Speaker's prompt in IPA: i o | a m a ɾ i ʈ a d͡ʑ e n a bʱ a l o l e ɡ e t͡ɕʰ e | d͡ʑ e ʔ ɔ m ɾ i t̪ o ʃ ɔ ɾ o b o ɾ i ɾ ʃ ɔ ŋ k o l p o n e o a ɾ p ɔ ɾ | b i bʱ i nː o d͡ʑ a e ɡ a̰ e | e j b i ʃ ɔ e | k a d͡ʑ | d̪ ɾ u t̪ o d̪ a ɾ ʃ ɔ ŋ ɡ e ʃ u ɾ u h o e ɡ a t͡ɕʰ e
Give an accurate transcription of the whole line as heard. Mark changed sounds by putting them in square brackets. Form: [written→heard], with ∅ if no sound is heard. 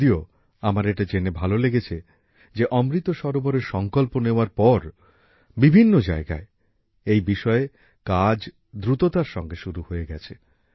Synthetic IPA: i o | a m a ɾ [i→e] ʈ a d͡ʑ e n [a→e] bʱ a l o l e ɡ e t͡ɕʰ e | d͡ʑ e ʔ ɔ m ɾ i t̪ o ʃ ɔ ɾ o b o ɾ [i→e] ɾ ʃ ɔ ŋ k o l p o n e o a ɾ p ɔ ɾ | b i bʱ i nː o d͡ʑ a e ɡ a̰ e | e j b i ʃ ɔ e | k a d͡ʑ | d̪ ɾ u t̪ o [d̪→t̪] a ɾ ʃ ɔ ŋ ɡ e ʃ u ɾ u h o e ɡ [a→ɛ] t͡ɕʰ e

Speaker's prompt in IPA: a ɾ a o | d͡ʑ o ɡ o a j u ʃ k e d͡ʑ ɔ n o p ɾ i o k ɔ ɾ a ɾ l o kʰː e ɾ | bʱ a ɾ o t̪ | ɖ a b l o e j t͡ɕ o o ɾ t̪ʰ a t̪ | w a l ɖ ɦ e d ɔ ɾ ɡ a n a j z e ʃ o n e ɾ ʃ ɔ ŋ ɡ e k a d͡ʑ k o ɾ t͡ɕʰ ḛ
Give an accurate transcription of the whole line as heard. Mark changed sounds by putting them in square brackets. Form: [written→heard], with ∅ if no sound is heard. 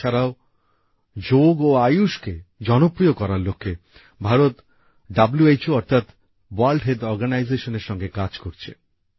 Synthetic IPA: a ɾ a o | d͡ʑ o ɡ o a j u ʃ k e d͡ʑ ɔ n o p ɾ i o k ɔ ɾ a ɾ l o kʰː e [ɾ→∅] | bʱ a ɾ o t̪ | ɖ a b l [o→u] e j t͡ɕ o [o→ɔ] ɾ t̪ʰ a t̪ | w a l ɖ ɦ e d ɔ ɾ ɡ a n a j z e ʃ o n e ɾ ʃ ɔ ŋ ɡ e k a d͡ʑ k o ɾ t͡ɕʰ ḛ

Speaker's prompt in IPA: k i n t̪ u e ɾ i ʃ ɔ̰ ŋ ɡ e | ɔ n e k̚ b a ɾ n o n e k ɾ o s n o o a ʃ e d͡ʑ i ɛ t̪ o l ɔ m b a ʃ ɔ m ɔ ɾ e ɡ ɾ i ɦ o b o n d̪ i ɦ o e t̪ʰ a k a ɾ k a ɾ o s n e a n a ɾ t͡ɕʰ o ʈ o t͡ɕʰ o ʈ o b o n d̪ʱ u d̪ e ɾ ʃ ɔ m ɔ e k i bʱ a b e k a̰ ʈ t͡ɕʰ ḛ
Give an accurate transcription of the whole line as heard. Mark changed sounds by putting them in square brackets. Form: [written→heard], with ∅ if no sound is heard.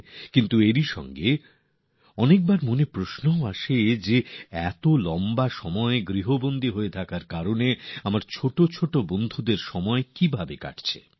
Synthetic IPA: k i n t̪ u e ɾ i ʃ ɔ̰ ŋ ɡ e | ɔ n e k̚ b a ɾ [n→m] o n e [k→p] ɾ o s n o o a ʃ e d͡ʑ [i→e] ɛ t̪ o l ɔ m b a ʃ ɔ m ɔ [ɾ→∅] e ɡ ɾ i ɦ o b o n d̪ i ɦ o e t̪ʰ a k a ɾ k a ɾ o [s→∅] n e a [n→m] a ɾ t͡ɕʰ o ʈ o t͡ɕʰ o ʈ o b o n d̪ʱ u d̪ e ɾ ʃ ɔ m ɔ e k i bʱ a b e k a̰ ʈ t͡ɕʰ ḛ

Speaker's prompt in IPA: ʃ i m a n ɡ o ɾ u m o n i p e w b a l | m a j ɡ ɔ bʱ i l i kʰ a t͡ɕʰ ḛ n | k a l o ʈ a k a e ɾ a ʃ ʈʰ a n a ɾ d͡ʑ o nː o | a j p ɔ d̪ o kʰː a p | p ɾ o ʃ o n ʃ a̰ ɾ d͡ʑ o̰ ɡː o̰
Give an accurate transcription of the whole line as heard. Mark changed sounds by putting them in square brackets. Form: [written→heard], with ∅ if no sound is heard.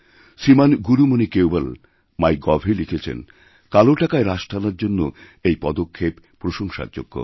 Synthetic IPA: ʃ i m a n ɡ [o→u] ɾ u m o n i [p→k] e w b a l | m a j ɡ ɔ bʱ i l i kʰ [a→e] t͡ɕʰ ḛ n | k a l o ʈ a k a e ɾ a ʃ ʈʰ a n a ɾ d͡ʑ o nː o | [a→e] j p ɔ d̪ o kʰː [a→e] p | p ɾ o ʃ o [n→ŋ] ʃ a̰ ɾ d͡ʑ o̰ ɡː o̰

